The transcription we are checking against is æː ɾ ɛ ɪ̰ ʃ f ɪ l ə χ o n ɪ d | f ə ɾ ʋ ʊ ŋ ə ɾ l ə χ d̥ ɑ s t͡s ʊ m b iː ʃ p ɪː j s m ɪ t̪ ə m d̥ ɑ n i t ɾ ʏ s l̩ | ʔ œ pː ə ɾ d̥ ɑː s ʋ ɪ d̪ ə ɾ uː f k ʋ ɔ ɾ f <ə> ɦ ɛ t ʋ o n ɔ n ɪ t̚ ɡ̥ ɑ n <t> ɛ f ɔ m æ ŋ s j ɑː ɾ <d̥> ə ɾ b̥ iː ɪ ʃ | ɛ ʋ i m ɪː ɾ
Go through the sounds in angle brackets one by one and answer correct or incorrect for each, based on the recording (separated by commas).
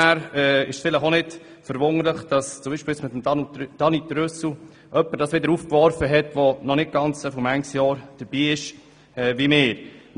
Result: correct, incorrect, correct